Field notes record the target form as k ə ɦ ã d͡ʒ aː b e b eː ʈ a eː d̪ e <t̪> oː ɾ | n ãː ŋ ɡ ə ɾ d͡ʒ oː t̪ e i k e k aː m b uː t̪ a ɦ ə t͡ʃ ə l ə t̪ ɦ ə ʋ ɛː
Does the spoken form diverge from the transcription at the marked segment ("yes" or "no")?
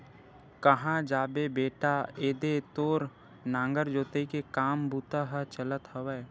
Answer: no